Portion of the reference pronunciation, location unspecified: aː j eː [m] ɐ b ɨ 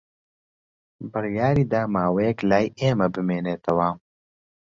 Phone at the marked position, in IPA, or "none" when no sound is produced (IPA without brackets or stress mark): m